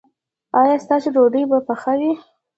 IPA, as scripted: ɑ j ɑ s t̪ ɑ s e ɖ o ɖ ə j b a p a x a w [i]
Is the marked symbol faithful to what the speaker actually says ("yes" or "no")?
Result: yes